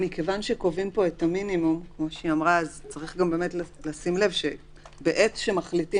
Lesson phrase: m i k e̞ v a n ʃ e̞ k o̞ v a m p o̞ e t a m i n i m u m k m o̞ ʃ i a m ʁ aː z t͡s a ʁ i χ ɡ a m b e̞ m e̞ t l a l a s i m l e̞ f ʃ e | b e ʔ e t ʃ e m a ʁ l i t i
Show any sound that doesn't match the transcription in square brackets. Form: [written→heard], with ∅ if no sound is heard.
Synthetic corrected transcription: m i k e̞ v a n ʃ e̞ k o̞ v [a→i] m p o̞ e t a m i n i m u m k m o̞ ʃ i a m ʁ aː z t͡s a ʁ i χ ɡ a m b e̞ m e̞ t l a l a s i m l e̞ [f→v] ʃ e | b e ʔ e t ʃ e m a [ʁ→χ] l i t i